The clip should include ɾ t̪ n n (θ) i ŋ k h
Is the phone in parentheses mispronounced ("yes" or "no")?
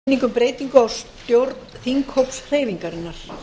no